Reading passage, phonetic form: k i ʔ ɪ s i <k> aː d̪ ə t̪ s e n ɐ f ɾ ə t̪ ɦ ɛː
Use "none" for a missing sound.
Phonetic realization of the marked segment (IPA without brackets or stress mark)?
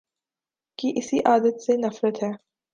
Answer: ʔ